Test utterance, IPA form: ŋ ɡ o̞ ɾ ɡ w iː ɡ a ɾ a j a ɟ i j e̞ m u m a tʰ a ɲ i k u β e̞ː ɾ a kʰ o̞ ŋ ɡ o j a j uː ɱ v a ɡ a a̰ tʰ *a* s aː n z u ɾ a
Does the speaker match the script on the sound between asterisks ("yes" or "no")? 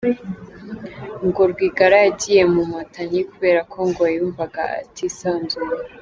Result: no